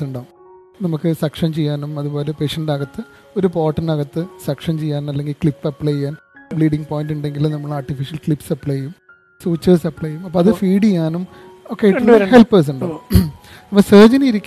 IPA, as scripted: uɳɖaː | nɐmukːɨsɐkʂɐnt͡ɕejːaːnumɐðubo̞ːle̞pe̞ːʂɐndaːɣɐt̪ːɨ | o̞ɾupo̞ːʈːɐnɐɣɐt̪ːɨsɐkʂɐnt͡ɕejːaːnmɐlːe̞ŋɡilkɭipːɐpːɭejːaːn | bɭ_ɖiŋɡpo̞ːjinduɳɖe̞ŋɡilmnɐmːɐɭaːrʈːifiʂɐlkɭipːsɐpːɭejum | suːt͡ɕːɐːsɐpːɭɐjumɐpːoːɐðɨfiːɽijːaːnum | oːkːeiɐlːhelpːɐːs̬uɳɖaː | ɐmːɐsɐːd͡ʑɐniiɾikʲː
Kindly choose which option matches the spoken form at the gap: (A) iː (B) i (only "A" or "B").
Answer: A